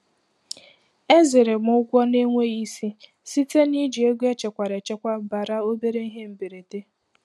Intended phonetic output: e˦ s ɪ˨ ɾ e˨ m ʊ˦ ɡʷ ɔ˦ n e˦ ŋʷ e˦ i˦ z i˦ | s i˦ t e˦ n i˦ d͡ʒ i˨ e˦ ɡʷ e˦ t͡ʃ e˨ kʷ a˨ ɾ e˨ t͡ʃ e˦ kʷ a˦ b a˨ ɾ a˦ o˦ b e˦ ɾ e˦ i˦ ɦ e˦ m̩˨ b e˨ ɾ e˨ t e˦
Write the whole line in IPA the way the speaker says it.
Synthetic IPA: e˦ z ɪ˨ ɾ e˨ m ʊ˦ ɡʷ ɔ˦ n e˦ ŋʷ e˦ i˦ s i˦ | s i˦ t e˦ n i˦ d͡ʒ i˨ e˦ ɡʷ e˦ t͡ʃ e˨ kʷ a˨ ɾ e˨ t͡ʃ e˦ kʷ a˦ b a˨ ɾ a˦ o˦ b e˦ ɾ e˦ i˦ ɦ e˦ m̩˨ b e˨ ɾ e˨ t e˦

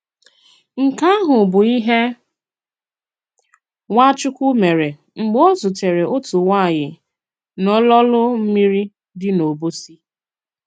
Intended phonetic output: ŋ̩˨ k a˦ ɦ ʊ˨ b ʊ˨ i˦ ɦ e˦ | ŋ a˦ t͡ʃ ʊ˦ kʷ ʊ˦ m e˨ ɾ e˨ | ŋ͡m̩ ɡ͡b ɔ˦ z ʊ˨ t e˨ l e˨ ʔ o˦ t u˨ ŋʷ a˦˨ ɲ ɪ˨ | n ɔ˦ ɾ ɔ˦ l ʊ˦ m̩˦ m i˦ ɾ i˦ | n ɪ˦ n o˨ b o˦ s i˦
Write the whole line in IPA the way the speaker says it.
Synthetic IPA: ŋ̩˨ k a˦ ɦ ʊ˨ b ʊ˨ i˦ ɦ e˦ | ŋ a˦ t͡ʃ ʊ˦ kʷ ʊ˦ m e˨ ɾ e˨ | ŋ͡m̩ ɡ͡b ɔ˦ z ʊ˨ t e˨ ɾ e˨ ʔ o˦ t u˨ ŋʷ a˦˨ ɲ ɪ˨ | n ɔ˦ l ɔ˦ l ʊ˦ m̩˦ m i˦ ɾ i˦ | d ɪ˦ n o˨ b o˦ s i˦

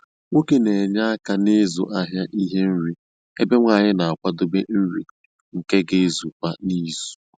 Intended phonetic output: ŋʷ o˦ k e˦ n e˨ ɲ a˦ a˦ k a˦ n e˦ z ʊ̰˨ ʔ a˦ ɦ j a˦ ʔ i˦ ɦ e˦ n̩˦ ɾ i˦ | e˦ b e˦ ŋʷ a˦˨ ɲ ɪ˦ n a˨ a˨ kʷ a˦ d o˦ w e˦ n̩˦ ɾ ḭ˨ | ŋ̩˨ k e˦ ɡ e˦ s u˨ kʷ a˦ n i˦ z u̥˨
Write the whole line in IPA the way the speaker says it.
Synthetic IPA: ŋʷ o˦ k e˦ n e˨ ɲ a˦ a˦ k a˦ n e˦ z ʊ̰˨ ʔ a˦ ɦ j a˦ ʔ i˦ ɦ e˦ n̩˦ ɾ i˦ | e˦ b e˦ ŋʷ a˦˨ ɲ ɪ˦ n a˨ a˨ kʷ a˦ d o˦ b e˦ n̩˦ ɾ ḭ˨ | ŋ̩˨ k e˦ ɡ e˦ z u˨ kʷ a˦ n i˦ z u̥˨

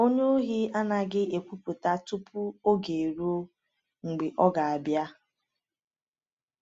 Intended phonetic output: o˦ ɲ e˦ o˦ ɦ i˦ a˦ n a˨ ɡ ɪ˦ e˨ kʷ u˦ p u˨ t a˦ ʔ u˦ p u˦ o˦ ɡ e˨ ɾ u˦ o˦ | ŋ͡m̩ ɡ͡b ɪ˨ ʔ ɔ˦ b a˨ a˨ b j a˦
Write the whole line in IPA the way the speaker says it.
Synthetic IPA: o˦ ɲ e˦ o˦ ɦ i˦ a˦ n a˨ ɡ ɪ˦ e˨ kʷ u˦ p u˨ t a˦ t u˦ p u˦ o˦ ɡ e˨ ɾ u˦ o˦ | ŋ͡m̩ ɡ͡b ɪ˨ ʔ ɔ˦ ɡ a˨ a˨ b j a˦

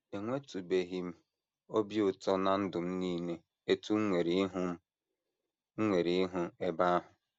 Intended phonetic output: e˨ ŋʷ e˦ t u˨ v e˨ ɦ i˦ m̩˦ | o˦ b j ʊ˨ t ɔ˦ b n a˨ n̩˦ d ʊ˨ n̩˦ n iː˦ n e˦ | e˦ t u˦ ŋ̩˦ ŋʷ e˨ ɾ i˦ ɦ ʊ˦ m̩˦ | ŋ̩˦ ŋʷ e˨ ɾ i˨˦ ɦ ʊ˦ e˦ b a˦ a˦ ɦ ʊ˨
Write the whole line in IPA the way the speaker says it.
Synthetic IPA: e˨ ŋʷ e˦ t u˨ b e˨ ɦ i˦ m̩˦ | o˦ b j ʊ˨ t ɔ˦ n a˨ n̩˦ d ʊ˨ m̩˦ n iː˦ n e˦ | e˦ t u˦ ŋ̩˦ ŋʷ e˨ ɾ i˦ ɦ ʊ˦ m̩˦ | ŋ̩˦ ŋʷ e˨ ɾ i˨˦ ɦ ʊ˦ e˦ b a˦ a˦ ɦ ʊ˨

